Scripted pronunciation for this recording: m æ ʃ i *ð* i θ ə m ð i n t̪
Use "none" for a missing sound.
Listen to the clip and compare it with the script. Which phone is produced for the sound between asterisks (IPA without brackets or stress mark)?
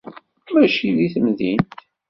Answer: ð